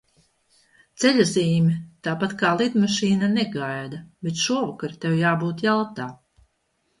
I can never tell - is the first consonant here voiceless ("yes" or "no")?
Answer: yes